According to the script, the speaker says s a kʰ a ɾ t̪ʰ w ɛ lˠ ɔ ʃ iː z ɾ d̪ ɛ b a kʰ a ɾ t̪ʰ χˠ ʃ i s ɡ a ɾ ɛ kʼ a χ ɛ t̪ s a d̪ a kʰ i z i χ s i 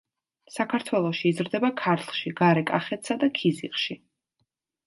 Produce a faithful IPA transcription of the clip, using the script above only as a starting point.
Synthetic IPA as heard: s a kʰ a ɾ t̪ʰ w ɛ lˠ ɔ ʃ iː z ɾ d̪ ɛ b a kʰ a ɾ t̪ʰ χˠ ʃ i ɡ a ɾ ɛ kʼ a χ ɛ t̪ s a d̪ a kʰ i z i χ ʃ i